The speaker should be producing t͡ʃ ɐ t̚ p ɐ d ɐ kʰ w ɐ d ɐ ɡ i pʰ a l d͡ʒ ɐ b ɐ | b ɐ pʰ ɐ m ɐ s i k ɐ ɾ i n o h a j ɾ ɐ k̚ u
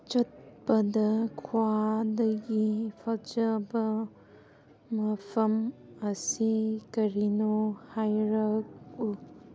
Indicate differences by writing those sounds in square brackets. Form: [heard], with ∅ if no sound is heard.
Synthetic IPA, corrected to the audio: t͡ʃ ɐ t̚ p ɐ d ɐ kʰ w [a] d ɐ ɡ i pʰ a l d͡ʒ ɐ b ɐ | [m] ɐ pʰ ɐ m ɐ s i k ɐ ɾ i n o h a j ɾ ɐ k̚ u

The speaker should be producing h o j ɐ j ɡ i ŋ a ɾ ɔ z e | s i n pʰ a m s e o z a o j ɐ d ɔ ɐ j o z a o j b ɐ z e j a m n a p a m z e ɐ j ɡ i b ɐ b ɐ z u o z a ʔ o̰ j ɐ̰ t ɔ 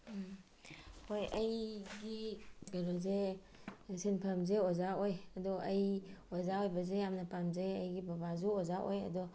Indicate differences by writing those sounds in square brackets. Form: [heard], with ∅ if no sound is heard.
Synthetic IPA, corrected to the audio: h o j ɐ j ɡ i [ɡ] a ɾ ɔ z e | s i n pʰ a m [z] e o z a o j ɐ d ɔ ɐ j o z a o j b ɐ z e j a m n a p a m z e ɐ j ɡ i b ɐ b [a] z u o z a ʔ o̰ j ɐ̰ [d] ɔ

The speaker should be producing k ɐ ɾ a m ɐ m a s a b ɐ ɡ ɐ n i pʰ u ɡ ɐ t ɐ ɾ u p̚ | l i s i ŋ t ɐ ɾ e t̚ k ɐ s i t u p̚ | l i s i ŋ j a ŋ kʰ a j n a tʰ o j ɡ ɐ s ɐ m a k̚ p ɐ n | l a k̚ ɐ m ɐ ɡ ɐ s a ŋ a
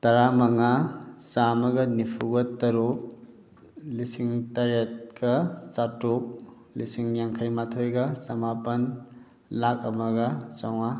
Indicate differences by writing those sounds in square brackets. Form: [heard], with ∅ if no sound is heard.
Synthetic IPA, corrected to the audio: [t] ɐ ɾ a m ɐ [ŋ] a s a [m] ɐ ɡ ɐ n i pʰ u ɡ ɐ t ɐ ɾ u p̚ | l i s i ŋ t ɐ ɾ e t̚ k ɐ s [a] t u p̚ | l i s i ŋ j a ŋ kʰ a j [m] a tʰ o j ɡ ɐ s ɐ m a [∅] p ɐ n | l a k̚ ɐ m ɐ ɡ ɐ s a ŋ a

